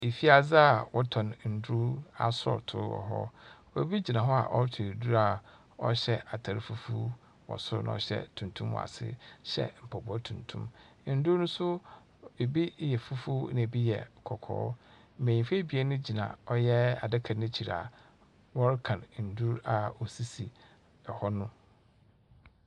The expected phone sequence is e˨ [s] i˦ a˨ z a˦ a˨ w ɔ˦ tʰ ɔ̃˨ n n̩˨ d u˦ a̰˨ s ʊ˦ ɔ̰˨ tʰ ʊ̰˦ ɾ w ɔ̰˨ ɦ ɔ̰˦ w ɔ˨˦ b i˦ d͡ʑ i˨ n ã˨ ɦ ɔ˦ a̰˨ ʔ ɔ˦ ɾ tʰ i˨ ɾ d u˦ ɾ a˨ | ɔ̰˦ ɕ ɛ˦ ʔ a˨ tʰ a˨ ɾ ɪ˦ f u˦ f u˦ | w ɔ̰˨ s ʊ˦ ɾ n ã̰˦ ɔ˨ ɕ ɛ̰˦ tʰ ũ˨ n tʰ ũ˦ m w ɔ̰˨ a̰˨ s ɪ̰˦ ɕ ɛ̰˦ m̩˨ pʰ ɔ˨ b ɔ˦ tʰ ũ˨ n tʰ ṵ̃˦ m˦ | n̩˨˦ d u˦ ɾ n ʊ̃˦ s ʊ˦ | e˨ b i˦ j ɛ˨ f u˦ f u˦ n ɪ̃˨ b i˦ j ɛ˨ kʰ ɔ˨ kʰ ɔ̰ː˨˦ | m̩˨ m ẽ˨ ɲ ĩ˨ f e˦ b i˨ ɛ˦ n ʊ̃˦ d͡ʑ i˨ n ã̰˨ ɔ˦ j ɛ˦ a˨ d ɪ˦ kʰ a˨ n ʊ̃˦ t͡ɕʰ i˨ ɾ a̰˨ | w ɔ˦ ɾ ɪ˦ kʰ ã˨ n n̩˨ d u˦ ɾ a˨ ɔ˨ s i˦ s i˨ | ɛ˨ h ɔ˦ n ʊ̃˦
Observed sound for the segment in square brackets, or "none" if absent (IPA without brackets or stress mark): f